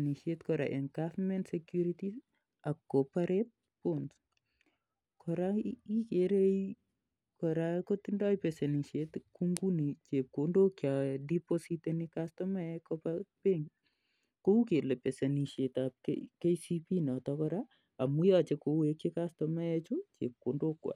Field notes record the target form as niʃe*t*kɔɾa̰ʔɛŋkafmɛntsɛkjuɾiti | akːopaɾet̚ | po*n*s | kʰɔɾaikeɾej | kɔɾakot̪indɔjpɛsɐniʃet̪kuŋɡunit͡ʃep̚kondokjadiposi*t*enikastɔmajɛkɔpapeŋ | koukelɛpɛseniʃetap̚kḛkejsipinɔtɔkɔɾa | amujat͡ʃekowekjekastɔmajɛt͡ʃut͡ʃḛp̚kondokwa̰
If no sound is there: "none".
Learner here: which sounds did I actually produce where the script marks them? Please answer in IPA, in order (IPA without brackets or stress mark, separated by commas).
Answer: t, n, t